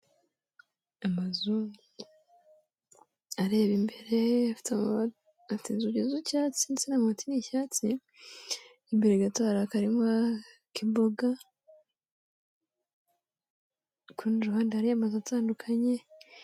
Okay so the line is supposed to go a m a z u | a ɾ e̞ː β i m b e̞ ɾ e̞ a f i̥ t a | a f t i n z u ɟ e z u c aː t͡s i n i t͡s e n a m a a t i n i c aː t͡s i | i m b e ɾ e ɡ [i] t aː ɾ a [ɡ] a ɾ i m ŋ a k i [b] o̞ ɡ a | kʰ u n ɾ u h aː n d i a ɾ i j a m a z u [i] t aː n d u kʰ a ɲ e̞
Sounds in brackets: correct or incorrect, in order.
incorrect: a, incorrect: k, correct, incorrect: a

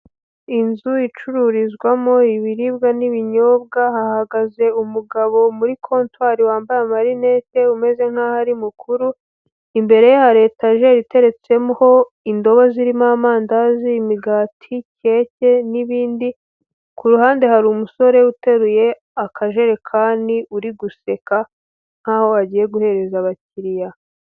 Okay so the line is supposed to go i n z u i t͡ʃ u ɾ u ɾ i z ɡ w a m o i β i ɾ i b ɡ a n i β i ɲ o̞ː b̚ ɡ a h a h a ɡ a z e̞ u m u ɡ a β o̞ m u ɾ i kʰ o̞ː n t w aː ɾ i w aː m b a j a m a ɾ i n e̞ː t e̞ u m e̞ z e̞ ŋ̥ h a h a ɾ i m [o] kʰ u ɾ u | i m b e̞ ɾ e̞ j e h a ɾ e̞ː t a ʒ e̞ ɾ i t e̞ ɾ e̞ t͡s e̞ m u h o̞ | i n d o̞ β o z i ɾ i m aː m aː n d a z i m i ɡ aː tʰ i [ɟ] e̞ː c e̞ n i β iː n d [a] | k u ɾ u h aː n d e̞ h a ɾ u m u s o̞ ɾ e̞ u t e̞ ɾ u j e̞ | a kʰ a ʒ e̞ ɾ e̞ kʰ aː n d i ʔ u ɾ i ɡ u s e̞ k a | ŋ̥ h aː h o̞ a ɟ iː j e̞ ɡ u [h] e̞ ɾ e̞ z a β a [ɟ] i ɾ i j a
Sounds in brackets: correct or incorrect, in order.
incorrect: u, incorrect: c, incorrect: i, correct, incorrect: c

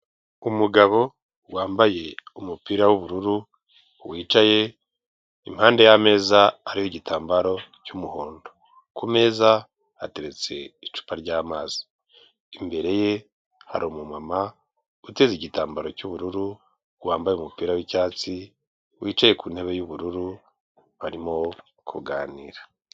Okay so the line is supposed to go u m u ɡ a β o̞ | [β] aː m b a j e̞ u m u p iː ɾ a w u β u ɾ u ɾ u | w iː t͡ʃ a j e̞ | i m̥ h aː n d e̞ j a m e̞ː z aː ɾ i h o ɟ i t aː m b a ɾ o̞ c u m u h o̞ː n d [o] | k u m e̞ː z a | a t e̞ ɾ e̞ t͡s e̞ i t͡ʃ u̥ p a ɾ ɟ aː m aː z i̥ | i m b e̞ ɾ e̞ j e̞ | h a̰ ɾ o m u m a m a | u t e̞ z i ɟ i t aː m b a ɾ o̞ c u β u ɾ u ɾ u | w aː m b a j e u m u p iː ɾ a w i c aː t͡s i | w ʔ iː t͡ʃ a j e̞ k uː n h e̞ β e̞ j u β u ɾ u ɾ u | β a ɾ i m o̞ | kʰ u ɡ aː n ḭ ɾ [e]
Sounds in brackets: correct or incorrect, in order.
incorrect: w, correct, incorrect: a

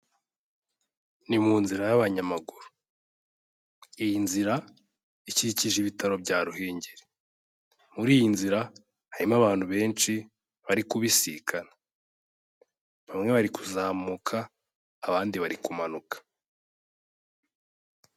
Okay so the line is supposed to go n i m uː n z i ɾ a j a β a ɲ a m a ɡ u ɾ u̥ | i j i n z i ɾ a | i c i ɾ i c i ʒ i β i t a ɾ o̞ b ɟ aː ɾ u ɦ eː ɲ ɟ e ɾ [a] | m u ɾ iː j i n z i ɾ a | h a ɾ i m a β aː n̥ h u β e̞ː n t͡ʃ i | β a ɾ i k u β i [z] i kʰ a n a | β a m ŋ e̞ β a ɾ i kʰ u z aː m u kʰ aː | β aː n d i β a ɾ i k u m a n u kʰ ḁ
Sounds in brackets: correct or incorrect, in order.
incorrect: e, incorrect: s

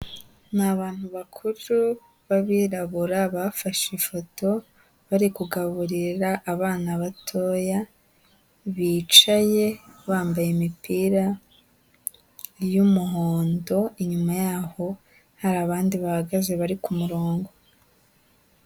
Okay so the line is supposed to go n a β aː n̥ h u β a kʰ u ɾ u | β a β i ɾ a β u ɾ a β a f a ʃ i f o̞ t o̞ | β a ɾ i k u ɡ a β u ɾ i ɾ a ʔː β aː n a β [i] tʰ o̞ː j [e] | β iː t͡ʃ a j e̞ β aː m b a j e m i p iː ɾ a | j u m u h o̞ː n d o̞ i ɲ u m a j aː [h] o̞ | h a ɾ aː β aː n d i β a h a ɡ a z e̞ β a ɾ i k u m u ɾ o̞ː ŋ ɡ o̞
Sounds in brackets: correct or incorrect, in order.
incorrect: a, incorrect: a, correct

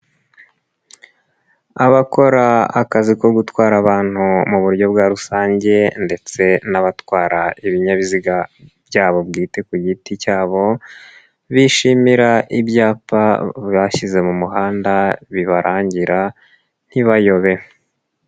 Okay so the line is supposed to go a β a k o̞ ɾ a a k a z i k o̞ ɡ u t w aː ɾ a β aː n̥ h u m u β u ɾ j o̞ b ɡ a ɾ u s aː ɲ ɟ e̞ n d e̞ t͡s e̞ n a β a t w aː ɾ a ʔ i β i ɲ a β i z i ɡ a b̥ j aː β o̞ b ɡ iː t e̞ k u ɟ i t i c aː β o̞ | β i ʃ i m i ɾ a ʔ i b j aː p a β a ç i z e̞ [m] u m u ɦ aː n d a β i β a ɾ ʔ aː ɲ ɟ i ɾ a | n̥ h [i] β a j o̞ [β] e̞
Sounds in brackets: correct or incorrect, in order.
correct, correct, correct

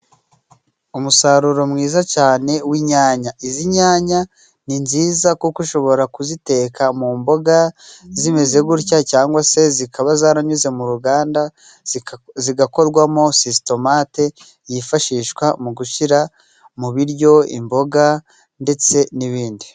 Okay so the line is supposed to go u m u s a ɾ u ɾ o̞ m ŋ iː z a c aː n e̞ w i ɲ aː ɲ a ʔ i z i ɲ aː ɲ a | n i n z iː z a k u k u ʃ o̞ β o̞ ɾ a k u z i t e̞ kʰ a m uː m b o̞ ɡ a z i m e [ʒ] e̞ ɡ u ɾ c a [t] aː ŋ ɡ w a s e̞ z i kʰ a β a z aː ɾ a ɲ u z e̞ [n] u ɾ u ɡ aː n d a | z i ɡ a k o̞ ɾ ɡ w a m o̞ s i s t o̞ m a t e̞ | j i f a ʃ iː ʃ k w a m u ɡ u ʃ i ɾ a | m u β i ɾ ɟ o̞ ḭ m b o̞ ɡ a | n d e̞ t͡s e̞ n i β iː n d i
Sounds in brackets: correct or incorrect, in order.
incorrect: z, incorrect: c, incorrect: m

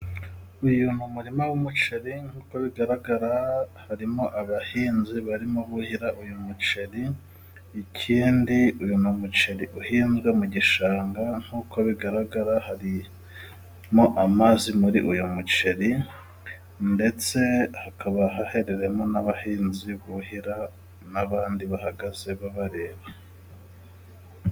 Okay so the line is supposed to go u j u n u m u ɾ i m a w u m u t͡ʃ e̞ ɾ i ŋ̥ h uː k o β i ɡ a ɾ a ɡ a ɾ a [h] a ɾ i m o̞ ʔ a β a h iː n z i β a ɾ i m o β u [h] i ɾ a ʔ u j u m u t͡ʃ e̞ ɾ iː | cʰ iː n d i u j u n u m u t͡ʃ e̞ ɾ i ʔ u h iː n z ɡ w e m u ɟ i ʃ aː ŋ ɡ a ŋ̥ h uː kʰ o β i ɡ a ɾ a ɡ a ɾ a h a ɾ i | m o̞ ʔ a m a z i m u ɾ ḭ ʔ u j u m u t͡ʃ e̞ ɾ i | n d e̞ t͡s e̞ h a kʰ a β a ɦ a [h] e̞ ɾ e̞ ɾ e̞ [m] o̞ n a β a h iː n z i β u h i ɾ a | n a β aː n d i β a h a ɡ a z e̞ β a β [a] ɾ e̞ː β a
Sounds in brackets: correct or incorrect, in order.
correct, correct, correct, correct, correct

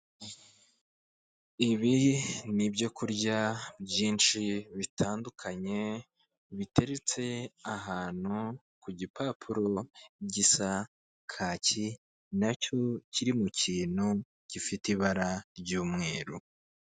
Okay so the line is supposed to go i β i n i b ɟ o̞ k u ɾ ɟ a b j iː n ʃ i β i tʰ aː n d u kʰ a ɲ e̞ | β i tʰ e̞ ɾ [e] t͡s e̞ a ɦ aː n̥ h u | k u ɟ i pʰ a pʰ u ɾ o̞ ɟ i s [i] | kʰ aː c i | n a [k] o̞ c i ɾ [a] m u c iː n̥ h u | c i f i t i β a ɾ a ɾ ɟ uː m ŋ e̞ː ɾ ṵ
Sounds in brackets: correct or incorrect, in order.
correct, incorrect: a, incorrect: c, incorrect: i

